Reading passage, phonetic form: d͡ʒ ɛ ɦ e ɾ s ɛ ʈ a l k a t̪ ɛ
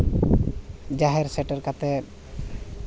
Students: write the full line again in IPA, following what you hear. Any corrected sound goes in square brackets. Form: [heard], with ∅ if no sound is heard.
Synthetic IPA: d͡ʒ [a] ɦ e ɾ s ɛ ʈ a [ɾ] k a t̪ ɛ